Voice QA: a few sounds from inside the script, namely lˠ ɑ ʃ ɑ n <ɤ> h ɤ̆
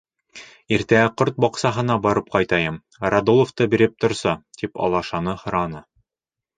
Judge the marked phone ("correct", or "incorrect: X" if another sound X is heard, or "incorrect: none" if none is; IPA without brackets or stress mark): correct